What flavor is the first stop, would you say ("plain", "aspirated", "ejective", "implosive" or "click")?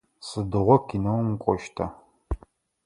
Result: plain